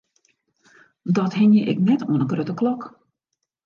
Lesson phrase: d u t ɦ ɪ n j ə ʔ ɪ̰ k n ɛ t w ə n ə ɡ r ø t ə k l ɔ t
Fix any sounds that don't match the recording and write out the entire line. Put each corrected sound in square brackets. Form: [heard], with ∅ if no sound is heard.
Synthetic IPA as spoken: d [ɔ] t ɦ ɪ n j ə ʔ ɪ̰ k n ɛ t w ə n ə ɡ r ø t ə k l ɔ [k]

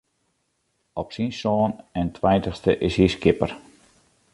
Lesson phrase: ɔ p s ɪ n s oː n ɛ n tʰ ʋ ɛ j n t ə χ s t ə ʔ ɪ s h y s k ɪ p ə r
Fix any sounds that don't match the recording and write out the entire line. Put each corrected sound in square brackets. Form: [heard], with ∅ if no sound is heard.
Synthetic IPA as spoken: ɔ p s [i] n s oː n ɛ n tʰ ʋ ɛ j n t ə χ s t ə ʔ ɪ s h [i] s k ɪ p ə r

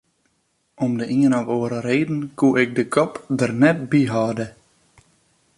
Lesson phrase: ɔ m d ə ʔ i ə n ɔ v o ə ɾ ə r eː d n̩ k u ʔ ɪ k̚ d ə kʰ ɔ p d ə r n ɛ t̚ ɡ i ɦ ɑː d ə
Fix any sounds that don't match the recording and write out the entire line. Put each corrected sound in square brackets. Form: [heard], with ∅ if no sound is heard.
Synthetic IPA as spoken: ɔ m d ə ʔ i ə n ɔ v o ə ɾ ə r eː d n̩ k u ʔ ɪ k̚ d ə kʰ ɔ p d ə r n ɛ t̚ [b] i ɦ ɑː d ə

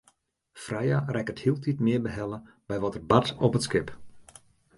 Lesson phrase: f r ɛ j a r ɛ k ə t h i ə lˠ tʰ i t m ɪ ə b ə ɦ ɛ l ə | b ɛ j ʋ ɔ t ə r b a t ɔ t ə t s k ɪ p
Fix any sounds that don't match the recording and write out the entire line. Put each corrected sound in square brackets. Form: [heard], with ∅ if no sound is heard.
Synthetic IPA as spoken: f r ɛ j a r ɛ k ə t h i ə lˠ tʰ i t m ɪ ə b ə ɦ ɛ l ə | b ɛ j ʋ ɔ t ə r b a t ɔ [p] ə t s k ɪ p

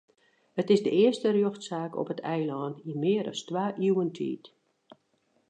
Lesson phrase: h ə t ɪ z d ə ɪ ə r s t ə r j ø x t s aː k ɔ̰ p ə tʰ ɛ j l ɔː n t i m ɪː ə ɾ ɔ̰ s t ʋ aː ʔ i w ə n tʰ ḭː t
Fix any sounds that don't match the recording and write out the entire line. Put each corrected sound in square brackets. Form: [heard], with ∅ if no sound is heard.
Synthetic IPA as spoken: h ə t ɪ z d ə ɪ ə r s t ə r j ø x t s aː k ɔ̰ p ə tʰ ɛ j l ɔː n t i m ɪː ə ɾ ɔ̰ s t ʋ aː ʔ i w ə n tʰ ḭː t

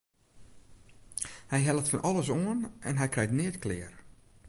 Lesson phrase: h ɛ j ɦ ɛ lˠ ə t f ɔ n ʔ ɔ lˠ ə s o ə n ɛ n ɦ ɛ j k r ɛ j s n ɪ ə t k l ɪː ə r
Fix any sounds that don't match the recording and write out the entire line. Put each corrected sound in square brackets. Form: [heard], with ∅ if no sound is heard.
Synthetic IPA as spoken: h ɛ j ɦ ɛ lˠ ə t f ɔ n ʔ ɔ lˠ ə s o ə n ɛ n ɦ ɛ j k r ɛ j [t] n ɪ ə t k l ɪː ə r

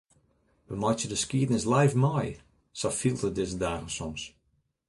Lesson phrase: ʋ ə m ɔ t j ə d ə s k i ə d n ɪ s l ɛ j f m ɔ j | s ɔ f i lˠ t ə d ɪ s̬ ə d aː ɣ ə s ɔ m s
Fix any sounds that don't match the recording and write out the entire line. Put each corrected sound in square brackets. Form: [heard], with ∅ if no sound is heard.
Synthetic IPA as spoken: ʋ ə m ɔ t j ə d ə s k i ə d n ɪ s l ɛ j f m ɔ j | s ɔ f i lˠ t ə d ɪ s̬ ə d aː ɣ ə s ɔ m s

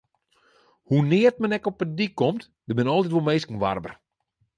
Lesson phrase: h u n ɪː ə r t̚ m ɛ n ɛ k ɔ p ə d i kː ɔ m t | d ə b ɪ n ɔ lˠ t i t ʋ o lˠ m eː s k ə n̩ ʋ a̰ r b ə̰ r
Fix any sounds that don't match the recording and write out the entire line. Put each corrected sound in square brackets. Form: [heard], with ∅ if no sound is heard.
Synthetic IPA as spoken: h u n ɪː ə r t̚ m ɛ n ɛ k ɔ p ə d i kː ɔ m t | d ə b ɪ n ɔ lˠ t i t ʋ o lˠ m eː s k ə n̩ ʋ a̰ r b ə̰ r

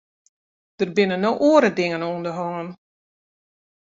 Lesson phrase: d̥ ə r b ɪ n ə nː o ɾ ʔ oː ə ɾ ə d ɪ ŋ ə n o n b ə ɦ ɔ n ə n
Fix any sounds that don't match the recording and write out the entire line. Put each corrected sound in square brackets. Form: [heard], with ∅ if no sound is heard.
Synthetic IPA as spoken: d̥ ə r b ɪ n ə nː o [∅] ʔ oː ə ɾ ə d ɪ ŋ ə n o n [d] ə ɦ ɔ [ŋ] ə n

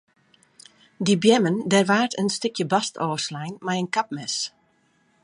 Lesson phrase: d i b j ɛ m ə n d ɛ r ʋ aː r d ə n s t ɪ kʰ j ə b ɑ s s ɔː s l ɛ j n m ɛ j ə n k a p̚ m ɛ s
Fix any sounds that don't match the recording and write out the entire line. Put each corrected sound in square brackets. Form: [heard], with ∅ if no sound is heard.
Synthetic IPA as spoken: d i b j ɛ m ə n d ɛ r ʋ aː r [t] ə n s t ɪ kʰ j ə b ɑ s [t] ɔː s l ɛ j n m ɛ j ə n k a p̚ m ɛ s

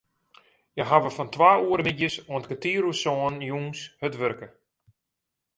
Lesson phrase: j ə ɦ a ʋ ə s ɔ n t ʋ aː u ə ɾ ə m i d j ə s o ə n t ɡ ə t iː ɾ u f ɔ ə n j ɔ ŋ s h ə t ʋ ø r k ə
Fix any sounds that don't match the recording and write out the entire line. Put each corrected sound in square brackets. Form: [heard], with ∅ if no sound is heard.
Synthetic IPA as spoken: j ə ɦ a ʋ ə [f] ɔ n t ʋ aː u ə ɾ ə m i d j ə s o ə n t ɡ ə t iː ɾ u [s] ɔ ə n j [u] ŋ s h ə t ʋ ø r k ə

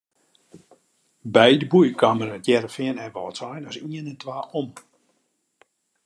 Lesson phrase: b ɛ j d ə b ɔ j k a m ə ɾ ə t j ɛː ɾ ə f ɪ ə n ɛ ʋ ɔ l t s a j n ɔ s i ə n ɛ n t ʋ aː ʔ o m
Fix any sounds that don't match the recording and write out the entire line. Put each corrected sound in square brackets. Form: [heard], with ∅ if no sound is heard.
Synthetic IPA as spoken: b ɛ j d ə b [u] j k a m ə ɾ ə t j [ɛ] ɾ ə f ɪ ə n ɛ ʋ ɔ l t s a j n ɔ s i ə n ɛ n t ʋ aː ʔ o m

